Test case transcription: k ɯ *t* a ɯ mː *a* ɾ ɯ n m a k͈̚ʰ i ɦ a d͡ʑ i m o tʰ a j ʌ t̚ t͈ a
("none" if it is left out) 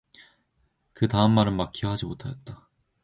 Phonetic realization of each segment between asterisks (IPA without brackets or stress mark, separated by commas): t, a